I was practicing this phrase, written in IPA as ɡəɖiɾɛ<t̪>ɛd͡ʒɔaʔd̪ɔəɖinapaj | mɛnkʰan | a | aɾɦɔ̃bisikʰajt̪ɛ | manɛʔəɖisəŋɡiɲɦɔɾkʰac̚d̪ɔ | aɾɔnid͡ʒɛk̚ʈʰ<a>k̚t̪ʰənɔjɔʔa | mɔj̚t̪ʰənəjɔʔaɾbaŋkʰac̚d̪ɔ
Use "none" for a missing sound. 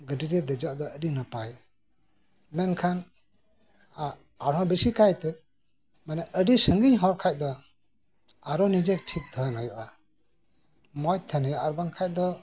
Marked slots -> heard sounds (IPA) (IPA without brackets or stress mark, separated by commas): d̪, i